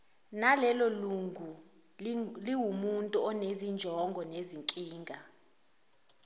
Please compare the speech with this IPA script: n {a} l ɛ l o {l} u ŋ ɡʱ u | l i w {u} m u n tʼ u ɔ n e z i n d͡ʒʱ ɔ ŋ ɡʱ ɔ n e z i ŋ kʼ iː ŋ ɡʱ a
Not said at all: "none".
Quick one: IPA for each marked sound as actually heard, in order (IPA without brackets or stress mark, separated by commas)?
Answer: a, l, u